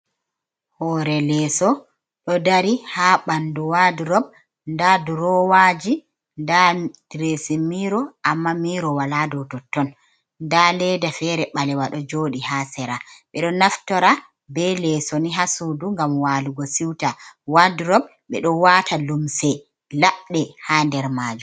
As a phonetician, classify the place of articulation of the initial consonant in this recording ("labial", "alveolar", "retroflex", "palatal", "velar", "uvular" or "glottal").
glottal